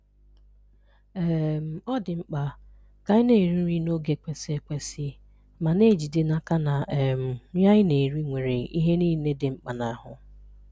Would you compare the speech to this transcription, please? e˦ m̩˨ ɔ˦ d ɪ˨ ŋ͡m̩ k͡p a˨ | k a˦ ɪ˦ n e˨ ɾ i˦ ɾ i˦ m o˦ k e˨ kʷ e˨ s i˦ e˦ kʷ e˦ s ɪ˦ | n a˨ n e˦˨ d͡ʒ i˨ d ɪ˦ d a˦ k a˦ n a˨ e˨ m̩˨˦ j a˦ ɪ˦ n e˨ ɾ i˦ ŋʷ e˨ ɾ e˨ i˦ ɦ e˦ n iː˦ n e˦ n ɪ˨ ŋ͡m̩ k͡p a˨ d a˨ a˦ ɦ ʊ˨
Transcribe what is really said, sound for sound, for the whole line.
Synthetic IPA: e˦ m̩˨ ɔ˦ d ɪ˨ ŋ͡m̩ k͡p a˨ | k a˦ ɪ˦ n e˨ ɾ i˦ ɾ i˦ n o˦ ɡ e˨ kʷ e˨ s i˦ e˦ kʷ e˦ s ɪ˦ | m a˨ n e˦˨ d͡ʒ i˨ d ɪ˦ n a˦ k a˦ n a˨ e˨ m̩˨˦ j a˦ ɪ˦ n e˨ ɾ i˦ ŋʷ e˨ ɾ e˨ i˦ ɦ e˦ n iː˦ n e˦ d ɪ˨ ŋ͡m̩ k͡p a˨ n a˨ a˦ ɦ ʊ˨